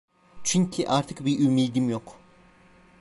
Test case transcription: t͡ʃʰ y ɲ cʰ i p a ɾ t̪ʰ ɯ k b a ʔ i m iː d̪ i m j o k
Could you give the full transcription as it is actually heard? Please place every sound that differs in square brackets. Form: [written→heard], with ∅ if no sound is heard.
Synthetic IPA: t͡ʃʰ y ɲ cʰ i [p→ʔ] a ɾ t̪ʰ ɯ k b [a→i] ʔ [i→y] m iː d̪ i m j o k